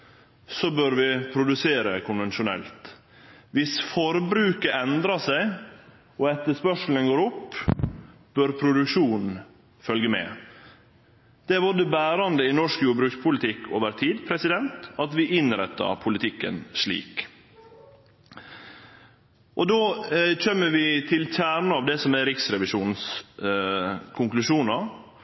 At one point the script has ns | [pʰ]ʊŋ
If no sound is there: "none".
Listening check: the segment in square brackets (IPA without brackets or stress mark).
kʰ